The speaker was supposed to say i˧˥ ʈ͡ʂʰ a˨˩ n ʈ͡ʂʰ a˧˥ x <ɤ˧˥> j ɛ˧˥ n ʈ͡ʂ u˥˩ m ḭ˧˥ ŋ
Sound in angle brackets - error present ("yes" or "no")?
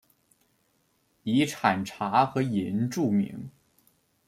no